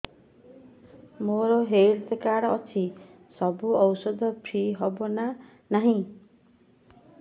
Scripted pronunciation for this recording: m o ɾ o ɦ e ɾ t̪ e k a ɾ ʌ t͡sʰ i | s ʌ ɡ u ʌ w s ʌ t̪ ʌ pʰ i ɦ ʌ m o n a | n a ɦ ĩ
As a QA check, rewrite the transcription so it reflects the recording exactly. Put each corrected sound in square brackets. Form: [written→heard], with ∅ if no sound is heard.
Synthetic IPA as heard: m o ɾ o ɦ e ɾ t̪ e k a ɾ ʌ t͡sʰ i | s ʌ [ɡ→b] u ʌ w s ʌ [t̪→d̪] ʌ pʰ i ɦ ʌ [m→b] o n a | n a ɦ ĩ